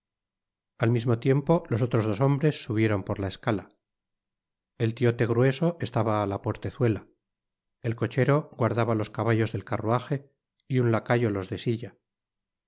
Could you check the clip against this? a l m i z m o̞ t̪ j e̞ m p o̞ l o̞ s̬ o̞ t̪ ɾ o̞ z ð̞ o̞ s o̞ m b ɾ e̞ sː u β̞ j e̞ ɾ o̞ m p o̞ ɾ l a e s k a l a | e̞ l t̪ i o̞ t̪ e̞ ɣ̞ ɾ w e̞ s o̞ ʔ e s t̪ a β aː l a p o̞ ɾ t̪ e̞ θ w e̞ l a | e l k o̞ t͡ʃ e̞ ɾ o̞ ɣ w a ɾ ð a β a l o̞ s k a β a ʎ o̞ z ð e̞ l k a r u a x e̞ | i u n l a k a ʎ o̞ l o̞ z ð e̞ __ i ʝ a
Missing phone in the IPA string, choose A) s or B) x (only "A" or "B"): A